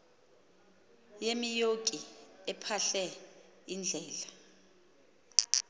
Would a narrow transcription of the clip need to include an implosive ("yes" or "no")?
no